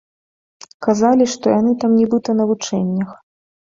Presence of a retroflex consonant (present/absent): present